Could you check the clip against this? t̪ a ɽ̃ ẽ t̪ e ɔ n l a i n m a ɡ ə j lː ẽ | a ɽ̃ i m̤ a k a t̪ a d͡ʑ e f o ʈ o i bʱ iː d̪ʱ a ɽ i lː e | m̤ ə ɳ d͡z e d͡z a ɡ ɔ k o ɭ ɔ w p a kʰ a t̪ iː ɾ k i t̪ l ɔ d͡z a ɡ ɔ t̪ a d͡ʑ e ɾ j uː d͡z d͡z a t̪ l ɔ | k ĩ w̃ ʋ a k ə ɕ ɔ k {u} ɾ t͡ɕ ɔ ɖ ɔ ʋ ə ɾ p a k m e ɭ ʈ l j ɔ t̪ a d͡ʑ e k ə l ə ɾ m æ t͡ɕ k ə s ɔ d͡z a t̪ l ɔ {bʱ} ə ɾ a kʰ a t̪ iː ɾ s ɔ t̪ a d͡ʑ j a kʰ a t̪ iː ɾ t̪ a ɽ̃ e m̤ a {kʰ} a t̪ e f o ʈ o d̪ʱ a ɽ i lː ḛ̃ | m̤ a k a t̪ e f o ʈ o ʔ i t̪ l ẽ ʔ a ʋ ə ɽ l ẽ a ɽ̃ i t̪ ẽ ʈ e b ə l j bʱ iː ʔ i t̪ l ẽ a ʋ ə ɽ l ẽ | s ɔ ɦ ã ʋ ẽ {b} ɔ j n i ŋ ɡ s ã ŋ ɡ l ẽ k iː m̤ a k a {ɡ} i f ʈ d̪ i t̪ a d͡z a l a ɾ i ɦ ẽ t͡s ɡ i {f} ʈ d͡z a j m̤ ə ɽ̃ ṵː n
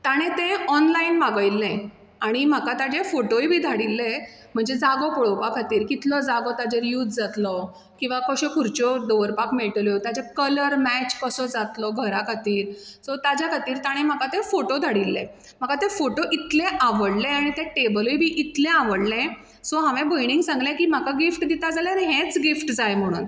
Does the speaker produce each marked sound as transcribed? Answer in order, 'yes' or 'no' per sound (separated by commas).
yes, no, no, yes, yes, yes